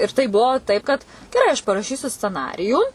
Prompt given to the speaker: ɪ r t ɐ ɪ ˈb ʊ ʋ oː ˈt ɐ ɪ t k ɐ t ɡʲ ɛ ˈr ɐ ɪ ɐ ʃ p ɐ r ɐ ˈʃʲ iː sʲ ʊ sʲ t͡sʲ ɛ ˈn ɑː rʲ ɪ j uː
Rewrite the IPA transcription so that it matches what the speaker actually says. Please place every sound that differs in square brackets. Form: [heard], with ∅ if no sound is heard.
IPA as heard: ɪ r t ɐ ɪ ˈb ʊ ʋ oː ˈt ɐ ɪ [p] k ɐ t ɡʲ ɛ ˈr ɐ ɪ ɐ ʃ p ɐ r ɐ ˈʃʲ iː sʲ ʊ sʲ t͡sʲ ɛ ˈn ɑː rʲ ɪ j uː